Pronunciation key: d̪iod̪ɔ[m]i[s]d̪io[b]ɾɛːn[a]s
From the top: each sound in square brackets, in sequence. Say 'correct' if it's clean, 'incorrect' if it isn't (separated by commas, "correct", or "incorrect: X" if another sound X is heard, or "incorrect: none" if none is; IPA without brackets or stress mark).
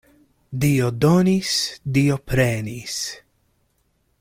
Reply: incorrect: n, correct, incorrect: p, incorrect: i